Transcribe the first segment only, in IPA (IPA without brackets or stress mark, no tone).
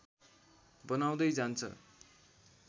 b